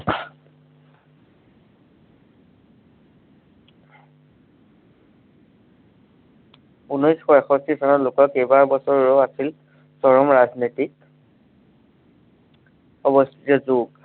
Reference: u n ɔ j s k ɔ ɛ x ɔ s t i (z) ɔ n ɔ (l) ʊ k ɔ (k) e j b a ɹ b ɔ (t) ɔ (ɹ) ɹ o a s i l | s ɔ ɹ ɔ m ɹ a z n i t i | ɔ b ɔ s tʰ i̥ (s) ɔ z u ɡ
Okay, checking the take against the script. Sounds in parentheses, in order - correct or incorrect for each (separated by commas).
incorrect, correct, correct, incorrect, correct, incorrect